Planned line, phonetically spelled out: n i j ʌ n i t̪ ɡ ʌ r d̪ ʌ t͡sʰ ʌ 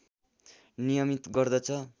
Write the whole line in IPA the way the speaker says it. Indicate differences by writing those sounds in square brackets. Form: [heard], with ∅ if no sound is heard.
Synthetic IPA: n i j ʌ [m] i t̪ ɡ ʌ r d̪ ʌ t͡sʰ ʌ